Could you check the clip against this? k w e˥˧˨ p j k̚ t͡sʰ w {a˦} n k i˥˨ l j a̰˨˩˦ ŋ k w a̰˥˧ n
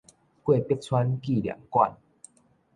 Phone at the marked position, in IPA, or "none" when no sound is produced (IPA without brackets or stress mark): a˦